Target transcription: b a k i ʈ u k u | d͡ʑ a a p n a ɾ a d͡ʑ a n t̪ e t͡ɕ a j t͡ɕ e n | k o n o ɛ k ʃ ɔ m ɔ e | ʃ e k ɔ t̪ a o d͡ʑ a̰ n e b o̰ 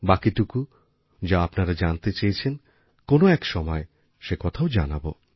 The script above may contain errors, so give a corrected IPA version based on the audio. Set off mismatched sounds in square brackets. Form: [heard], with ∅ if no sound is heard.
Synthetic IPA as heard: b a k i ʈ u k u | d͡ʑ a a p n a ɾ a d͡ʑ a n t̪ e t͡ɕ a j [t͡ɕʰ] e n | k o n o ɛ k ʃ ɔ m ɔ e | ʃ e k ɔ [t̪ʰ] a o d͡ʑ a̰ n [a] b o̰

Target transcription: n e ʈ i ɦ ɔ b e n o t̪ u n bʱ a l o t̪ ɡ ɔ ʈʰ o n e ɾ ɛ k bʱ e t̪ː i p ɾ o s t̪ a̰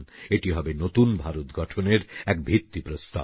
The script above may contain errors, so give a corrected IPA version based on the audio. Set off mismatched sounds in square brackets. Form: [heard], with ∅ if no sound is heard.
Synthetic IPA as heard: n e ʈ i ɦ ɔ b e n o t̪ u n bʱ a [ɾ] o t̪ ɡ ɔ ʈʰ o n e ɾ ɛ k bʱ [i] t̪ː i p ɾ o s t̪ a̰

